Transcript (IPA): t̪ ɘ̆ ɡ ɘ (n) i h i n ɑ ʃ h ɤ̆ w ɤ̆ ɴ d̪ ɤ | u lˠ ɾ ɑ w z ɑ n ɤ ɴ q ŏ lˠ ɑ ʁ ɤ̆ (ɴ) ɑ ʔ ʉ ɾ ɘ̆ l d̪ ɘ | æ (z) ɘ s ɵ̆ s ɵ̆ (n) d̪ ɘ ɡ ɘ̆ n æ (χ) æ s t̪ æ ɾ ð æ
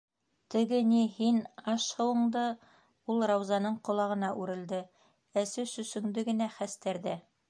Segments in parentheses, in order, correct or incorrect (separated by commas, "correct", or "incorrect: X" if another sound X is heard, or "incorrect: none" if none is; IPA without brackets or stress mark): correct, incorrect: n, incorrect: s, incorrect: ŋ, correct